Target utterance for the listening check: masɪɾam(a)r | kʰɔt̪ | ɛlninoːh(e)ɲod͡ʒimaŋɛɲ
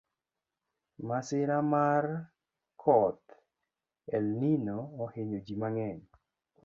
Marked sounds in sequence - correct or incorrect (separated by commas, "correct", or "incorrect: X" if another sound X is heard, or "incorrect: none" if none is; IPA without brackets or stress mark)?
correct, correct